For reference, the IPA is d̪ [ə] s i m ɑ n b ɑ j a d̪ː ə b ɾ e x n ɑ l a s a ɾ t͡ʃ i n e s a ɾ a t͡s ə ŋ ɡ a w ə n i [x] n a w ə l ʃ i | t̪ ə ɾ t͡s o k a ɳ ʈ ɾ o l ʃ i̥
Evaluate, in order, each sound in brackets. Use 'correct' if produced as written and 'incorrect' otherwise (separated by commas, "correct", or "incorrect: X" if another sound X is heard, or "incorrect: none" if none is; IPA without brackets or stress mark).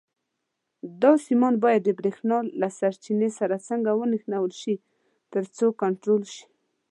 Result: incorrect: ɑ, correct